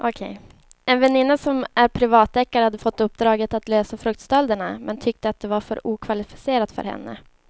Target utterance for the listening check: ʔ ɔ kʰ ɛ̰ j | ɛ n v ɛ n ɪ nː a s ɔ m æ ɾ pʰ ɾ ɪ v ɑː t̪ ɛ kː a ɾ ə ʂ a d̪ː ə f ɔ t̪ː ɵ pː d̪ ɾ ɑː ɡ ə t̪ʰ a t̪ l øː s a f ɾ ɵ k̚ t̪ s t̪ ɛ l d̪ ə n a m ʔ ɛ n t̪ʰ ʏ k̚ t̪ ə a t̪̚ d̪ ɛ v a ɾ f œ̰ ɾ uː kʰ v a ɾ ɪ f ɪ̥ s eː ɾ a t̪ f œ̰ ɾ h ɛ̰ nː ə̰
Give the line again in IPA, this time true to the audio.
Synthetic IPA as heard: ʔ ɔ kʰ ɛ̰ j | ɛ n v ɛ n ɪ nː a s ɔ m æ ɾ pʰ ɾ ɪ v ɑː t̪ ɛ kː a ɾ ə h a d̪ː ə f ɔ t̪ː ɵ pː d̪ ɾ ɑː ɡ ə t̪ a t̪ l øː s a f ɾ ɵ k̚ t̪ s t̪ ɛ l d̪ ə ɳ a m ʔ ɛ n t̪ʰ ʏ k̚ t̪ ə a t̪̚ d̪ ɛ v a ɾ f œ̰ ɾ uː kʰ v a l ɪ f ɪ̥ s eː ɾ a t̪ f œ̰ ɾ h ɛ̰ nː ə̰